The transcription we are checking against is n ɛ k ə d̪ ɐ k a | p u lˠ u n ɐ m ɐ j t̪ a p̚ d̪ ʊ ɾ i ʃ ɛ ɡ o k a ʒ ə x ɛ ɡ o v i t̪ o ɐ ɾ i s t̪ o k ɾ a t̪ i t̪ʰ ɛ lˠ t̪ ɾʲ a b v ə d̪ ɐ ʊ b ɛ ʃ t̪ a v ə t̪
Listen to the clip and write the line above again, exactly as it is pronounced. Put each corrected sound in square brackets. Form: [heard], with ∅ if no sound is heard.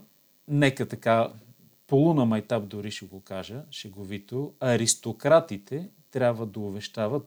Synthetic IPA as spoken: n ɛ k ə [t̪] ɐ k a | p [o] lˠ u n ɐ m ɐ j t̪ a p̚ d̪ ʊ ɾ i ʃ ɛ ɡ o k a ʒ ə [ʃ] ɛ ɡ o v i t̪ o ɐ ɾ i s t̪ o k ɾ a t̪ i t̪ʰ ɛ [∅] t̪ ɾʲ a b v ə d̪ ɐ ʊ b ɛ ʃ t̪ a v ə t̪